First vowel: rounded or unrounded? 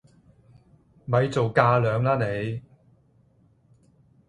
unrounded